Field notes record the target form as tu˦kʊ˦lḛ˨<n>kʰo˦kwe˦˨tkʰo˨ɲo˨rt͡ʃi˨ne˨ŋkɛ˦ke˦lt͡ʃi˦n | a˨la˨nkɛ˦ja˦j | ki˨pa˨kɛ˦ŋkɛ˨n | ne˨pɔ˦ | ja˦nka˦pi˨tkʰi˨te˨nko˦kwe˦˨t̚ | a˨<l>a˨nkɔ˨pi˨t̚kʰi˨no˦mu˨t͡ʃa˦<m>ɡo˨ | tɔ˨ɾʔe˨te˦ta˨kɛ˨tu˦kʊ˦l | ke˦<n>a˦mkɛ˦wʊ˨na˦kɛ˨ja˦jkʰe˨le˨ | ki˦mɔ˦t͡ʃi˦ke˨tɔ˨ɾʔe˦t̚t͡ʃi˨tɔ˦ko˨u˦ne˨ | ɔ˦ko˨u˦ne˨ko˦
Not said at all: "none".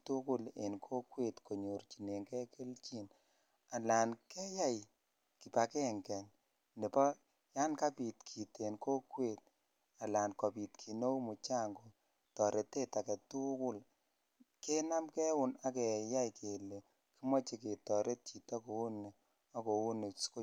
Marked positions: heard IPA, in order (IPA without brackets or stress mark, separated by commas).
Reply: n, l, ŋ, n